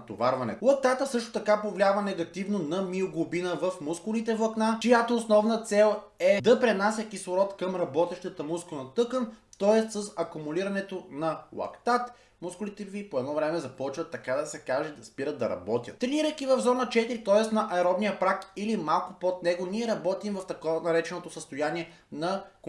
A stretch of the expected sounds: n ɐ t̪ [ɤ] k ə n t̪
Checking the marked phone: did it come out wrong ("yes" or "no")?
no